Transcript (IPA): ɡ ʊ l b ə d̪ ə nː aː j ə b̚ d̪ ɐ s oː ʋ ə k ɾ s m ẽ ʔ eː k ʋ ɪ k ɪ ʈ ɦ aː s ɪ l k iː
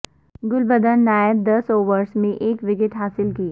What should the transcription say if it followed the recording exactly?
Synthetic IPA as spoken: ɡ ʊ l b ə d̪ ə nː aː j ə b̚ d̪ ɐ s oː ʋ ə ɾ s m ẽ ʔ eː k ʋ ɪ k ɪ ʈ ɦ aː s ɪ l k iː